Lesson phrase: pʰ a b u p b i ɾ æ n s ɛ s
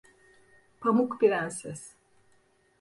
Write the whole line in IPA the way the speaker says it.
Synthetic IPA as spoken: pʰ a m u k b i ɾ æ n s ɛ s